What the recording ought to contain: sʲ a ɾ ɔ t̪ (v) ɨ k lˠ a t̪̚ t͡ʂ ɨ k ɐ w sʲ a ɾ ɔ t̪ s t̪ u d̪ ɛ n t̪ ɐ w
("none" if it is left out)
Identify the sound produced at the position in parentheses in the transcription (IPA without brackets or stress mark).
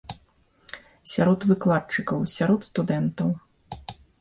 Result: v